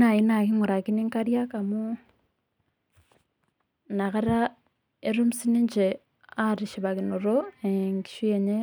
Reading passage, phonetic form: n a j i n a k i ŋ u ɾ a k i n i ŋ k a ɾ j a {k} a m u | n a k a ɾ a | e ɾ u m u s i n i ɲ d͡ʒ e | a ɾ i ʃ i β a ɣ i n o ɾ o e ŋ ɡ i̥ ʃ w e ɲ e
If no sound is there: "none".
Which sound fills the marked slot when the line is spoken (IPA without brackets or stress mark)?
k